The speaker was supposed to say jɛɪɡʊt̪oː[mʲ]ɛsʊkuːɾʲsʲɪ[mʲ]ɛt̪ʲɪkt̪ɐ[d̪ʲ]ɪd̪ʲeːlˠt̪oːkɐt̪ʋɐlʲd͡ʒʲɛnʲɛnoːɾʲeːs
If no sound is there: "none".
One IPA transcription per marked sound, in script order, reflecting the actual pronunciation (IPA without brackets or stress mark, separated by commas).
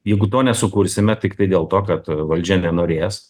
nʲ, mʲ, none